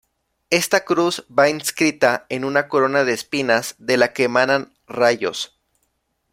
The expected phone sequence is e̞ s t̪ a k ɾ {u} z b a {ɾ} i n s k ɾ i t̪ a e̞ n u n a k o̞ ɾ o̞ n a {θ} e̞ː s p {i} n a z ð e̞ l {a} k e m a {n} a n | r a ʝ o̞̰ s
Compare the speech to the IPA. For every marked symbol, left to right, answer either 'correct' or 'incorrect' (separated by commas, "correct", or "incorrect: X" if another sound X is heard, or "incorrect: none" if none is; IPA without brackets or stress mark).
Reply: correct, incorrect: none, incorrect: ð, correct, correct, correct